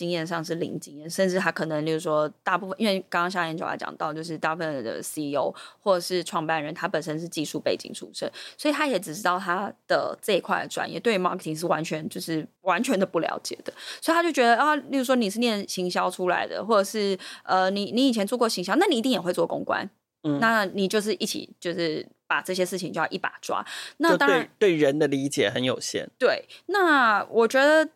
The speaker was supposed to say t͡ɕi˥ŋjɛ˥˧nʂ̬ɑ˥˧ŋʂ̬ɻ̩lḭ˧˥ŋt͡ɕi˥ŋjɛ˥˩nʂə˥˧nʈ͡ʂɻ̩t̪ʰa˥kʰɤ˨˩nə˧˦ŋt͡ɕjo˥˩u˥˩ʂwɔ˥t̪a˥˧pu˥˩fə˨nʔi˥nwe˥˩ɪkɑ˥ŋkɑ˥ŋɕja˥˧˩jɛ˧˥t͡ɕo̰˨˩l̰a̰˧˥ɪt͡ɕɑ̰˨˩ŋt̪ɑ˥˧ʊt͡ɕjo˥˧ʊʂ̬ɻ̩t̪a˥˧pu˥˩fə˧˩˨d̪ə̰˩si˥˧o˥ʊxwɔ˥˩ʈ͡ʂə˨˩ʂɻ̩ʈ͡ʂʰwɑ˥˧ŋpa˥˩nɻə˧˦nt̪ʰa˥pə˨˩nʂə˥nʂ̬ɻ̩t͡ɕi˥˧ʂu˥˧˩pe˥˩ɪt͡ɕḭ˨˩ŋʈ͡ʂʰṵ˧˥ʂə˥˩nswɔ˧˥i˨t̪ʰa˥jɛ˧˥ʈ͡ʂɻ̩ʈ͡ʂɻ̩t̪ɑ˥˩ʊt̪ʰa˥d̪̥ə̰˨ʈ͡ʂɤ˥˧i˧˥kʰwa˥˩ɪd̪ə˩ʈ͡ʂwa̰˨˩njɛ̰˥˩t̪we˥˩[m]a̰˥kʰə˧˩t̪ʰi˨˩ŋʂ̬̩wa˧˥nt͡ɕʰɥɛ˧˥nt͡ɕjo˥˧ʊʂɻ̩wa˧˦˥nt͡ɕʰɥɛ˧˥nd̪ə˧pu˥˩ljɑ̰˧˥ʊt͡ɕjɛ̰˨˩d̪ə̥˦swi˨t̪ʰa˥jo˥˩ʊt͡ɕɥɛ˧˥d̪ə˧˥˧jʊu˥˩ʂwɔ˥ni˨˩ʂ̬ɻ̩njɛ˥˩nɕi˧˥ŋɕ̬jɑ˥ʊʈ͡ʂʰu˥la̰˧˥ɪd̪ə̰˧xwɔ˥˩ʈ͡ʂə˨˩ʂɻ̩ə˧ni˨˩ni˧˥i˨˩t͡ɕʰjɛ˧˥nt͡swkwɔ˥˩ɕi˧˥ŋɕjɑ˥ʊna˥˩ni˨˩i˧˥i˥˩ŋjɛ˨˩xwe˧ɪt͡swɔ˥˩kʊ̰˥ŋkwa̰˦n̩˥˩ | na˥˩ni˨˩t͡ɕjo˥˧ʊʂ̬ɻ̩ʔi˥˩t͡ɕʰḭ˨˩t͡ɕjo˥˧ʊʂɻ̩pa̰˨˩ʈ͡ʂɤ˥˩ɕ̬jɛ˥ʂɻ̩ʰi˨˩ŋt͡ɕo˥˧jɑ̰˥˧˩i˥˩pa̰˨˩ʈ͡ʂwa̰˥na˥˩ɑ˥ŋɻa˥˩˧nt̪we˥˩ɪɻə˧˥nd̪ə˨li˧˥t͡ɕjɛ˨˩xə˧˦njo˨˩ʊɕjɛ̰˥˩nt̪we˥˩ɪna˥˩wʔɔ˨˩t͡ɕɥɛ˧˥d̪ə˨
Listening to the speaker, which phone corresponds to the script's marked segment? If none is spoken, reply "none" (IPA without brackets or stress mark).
m